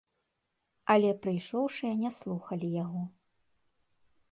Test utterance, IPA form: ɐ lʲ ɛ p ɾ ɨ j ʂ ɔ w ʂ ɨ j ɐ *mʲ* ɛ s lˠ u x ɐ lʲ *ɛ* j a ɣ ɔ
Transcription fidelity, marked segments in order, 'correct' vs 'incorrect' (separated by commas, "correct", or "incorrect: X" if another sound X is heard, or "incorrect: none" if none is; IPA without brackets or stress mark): incorrect: nʲ, incorrect: i